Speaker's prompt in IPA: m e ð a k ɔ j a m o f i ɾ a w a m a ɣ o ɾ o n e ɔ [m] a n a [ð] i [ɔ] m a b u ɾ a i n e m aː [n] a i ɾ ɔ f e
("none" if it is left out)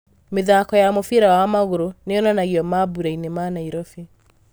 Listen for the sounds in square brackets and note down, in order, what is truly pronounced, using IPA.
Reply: n, ɣ, ɔ, n

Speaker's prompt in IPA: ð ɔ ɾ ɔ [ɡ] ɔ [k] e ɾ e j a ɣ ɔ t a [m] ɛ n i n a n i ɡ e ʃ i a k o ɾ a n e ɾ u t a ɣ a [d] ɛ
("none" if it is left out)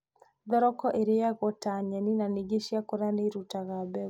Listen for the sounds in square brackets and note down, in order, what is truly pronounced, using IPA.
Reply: k, ʔ, ɲ, b

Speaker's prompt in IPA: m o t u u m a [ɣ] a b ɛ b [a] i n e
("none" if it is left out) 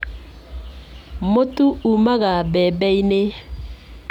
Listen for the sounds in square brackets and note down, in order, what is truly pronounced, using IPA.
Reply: ɣ, ɛ

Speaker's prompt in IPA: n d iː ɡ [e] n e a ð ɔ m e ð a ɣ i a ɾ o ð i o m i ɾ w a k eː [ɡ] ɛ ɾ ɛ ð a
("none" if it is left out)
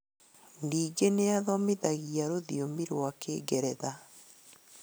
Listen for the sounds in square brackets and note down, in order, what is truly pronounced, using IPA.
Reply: e, ɡ

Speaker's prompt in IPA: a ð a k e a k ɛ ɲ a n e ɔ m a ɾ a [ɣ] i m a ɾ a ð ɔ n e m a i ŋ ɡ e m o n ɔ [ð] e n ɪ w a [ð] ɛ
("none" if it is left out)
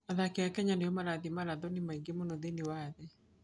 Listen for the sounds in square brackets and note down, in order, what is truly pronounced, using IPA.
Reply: ð, ð, ð

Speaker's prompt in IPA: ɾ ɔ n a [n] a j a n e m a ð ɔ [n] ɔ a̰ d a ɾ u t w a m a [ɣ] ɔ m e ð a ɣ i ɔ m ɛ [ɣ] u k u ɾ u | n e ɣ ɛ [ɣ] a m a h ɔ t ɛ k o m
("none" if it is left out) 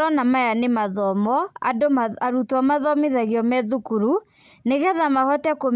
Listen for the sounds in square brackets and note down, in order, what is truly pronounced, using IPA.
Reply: m, m, ð, ð, ð

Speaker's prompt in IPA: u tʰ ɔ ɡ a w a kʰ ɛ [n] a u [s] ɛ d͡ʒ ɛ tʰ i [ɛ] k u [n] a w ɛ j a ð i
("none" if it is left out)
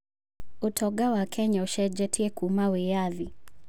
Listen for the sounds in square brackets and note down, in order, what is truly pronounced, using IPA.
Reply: ɲ, ʃ, ɛ, m

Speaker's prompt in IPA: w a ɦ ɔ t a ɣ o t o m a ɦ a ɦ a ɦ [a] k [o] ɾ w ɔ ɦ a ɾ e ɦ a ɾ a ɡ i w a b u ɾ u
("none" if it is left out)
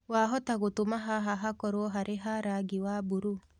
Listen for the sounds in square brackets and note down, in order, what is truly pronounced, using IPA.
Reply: a, ɔ

